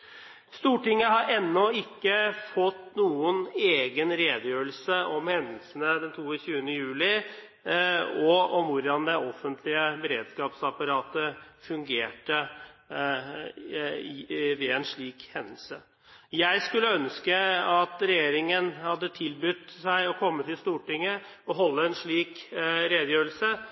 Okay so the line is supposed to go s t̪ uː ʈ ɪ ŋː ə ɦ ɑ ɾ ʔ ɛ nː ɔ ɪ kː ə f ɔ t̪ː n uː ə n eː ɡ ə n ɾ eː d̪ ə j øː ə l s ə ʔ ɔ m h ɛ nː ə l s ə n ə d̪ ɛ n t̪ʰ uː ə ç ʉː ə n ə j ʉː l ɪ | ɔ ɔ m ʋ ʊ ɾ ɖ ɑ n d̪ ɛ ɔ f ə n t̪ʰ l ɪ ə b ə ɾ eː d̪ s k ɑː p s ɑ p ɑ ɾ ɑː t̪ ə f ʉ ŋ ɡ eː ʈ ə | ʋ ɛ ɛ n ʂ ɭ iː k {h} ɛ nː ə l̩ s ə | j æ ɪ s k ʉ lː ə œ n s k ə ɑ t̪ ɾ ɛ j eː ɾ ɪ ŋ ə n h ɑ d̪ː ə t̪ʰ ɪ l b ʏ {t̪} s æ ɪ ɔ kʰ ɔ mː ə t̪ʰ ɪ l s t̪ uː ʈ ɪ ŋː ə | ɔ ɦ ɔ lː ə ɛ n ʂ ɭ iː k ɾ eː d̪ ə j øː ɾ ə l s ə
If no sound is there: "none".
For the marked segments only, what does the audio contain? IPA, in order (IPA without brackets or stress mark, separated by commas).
h, t̪